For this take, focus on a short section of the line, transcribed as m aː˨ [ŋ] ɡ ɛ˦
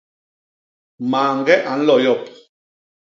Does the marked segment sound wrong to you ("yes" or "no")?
no